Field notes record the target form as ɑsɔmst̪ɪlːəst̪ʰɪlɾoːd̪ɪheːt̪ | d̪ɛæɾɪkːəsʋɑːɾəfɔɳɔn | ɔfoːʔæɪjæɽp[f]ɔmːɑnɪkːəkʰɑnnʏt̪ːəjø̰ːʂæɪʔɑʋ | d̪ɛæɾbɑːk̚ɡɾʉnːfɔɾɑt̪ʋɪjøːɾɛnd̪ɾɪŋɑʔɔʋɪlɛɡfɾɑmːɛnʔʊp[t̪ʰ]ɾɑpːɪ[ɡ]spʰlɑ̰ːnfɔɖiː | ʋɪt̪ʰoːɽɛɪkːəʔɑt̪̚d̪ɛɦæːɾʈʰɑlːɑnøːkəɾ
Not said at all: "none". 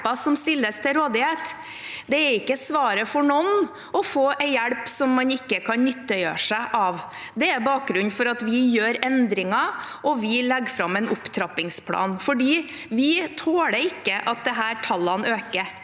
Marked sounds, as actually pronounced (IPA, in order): s, t̪ʰ, ŋ

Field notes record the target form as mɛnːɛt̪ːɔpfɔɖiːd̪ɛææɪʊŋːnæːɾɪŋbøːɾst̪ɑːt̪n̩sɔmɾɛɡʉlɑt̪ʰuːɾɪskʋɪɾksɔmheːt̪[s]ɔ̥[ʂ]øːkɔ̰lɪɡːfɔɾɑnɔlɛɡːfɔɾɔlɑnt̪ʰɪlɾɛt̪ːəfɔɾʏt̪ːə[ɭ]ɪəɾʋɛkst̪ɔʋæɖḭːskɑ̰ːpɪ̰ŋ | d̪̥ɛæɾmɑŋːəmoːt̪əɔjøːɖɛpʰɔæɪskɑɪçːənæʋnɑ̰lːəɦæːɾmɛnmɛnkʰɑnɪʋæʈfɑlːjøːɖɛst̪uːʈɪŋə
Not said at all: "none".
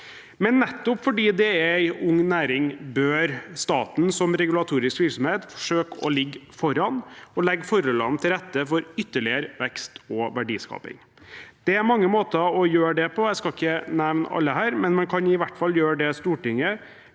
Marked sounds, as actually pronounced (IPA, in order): f, ʂ, ɭ

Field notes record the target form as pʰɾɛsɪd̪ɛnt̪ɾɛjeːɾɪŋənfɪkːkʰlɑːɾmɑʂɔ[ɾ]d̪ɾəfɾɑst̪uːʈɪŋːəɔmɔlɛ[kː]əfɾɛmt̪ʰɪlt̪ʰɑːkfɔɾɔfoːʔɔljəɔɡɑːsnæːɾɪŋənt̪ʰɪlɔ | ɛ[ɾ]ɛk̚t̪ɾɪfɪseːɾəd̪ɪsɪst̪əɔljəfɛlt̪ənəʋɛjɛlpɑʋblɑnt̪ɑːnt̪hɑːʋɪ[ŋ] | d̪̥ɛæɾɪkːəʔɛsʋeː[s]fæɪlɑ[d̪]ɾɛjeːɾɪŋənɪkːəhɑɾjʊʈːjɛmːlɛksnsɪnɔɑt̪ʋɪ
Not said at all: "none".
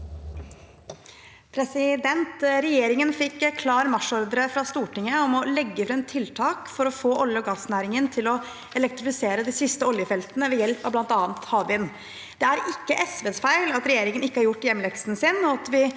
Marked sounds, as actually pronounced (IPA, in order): ɾ, ɡː, l, n, s, t̪

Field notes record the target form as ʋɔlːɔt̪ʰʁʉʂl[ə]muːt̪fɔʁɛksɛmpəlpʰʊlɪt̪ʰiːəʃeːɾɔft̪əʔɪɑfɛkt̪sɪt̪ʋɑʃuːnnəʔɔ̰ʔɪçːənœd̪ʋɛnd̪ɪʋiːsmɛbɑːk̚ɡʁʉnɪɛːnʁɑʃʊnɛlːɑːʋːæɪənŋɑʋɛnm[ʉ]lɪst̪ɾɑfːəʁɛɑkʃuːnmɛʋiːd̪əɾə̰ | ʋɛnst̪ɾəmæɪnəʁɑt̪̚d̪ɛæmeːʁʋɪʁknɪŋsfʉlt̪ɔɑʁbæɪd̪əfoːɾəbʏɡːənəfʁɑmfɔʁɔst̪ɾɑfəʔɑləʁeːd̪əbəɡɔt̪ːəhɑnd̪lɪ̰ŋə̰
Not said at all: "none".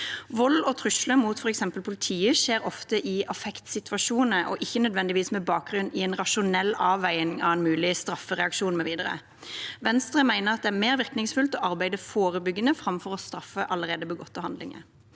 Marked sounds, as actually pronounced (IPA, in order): ə, ʉː

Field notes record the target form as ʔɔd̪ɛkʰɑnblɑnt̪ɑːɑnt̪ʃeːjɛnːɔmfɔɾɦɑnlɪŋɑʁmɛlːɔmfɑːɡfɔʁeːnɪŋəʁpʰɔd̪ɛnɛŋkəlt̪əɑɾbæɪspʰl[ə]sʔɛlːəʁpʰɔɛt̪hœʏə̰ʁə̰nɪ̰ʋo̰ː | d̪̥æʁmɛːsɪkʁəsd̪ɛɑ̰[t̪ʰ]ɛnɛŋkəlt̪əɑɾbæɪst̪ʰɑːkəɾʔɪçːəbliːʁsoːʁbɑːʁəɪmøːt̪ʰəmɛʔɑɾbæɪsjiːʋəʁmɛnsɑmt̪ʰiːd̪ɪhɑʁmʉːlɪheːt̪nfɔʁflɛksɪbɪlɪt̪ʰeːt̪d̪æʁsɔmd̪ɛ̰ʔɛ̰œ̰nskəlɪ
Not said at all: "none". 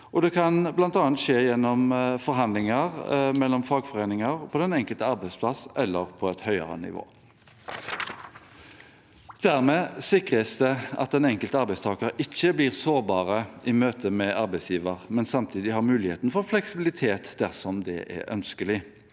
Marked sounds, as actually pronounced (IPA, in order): ɑ, t̪

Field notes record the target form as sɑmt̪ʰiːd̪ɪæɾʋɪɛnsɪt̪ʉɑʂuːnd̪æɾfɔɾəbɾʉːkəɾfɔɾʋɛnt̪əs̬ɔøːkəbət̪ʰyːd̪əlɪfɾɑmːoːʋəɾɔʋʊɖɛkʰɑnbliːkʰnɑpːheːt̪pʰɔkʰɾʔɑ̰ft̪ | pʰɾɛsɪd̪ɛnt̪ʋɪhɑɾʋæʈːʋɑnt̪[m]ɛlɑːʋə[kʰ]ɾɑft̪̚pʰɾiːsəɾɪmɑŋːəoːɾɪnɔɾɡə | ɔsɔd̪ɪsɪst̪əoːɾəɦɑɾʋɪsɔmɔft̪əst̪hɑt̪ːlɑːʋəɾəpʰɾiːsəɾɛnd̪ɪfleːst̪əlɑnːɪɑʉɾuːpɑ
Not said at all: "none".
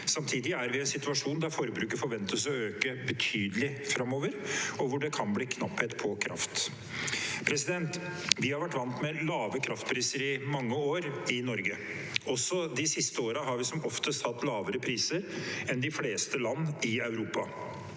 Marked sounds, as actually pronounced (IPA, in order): m, kʰ

